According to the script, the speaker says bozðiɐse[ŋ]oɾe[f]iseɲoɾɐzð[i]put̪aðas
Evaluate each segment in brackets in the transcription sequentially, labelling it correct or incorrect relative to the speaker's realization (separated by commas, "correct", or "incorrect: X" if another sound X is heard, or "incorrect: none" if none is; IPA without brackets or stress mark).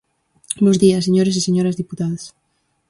incorrect: ɲ, incorrect: s, correct